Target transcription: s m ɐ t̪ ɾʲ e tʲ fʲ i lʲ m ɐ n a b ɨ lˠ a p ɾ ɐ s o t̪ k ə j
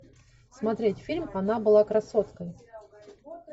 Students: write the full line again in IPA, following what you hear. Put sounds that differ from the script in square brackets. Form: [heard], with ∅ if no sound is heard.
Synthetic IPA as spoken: s m ɐ t̪ ɾʲ e tʲ fʲ i lʲ m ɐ n a b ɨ lˠ a [k] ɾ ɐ s o t̪ k ə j